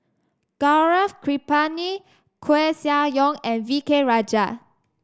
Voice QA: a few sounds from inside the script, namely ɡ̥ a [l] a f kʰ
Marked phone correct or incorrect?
incorrect